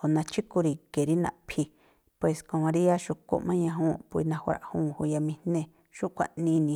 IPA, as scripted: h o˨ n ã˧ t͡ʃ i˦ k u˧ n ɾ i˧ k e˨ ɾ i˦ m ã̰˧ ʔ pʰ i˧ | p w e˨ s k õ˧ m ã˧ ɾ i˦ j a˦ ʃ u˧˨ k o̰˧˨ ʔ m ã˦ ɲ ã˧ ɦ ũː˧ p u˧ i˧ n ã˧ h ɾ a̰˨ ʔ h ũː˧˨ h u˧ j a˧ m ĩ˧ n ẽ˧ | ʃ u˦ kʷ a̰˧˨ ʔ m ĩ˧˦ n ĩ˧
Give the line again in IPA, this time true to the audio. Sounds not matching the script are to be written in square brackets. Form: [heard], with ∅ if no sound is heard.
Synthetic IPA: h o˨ n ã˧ t͡ʃ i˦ k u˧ [∅] ɾ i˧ k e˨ ɾ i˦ [n] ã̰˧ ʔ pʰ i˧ | p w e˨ s k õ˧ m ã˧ ɾ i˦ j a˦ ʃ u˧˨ k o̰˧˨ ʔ m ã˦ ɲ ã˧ ɦ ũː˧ p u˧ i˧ n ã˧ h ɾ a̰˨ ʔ h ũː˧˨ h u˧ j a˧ m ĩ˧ n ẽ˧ | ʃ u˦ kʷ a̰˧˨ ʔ [n] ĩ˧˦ n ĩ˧